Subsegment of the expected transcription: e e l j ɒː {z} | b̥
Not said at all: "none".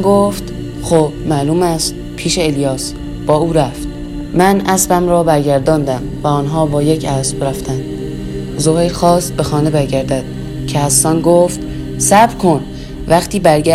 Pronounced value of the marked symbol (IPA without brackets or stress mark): s